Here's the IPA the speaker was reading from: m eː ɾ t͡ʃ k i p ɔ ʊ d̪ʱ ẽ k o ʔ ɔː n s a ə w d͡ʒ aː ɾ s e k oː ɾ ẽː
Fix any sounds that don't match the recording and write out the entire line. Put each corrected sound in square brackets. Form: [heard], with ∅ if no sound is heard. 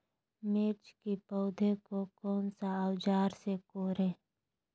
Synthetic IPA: m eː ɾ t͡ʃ k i p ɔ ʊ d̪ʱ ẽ k o [k] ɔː n s a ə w d͡ʒ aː ɾ s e k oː ɾ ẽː